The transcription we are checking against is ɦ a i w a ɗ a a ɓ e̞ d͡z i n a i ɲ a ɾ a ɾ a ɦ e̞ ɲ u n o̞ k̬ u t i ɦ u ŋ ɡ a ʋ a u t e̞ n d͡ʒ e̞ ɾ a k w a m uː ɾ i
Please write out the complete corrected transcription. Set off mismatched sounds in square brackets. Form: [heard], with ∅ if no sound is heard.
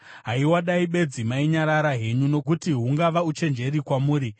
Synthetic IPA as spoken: ɦ a i w a ɗ a [i] ɓ e̞ d͡z i [m] a i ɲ a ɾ a ɾ a ɦ e̞ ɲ u n o̞ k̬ u t i ɦ u ŋ ɡ a ʋ a u [t͡ʃ] e̞ n d͡ʒ e̞ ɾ [i] k w a m uː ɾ i